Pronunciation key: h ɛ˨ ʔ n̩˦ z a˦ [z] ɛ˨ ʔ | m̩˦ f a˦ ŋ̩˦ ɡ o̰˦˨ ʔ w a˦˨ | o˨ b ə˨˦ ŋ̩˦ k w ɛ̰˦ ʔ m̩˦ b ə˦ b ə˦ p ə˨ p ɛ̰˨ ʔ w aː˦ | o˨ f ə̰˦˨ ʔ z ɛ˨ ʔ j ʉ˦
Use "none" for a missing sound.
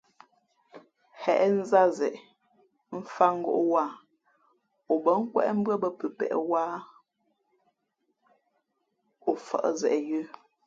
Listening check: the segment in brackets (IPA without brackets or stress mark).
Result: z